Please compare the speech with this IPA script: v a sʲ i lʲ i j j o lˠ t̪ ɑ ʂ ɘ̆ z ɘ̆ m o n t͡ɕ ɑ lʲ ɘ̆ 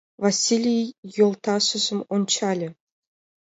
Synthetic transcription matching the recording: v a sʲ i lʲ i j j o lˠ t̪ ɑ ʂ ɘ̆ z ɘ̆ m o n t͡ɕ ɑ lʲ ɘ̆